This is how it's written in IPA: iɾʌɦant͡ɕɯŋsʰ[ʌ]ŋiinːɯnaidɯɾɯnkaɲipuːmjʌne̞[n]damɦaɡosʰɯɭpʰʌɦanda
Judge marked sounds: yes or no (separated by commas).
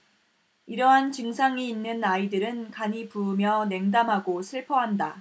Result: no, no